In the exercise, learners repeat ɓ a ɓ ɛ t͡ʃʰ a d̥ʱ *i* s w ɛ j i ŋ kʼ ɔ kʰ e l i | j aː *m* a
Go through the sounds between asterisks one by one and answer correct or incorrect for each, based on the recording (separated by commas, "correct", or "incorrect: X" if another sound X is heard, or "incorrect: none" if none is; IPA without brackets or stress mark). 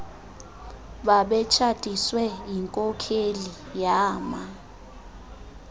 correct, correct